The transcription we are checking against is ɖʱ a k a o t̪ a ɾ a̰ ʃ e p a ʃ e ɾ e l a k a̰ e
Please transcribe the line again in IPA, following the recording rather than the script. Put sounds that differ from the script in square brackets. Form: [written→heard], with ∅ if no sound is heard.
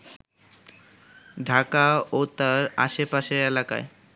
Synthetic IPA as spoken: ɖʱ a k a o t̪ a ɾ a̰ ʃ e p a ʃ e ɾ e l a k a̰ e